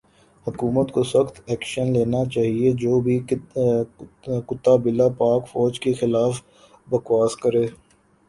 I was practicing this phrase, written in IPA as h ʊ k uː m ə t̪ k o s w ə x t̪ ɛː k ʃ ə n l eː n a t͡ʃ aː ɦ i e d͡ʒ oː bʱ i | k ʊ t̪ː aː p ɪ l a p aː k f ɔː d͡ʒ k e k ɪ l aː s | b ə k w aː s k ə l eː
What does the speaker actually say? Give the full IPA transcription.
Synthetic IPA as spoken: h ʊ k uː m ə t̪ k o s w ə x t̪ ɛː k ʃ ə n l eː n a t͡ʃ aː ɦ i e d͡ʒ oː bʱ i | k ʊ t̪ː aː b ɪ l a p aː k f ɔː d͡ʒ k e x ɪ l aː f | b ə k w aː s k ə ɾ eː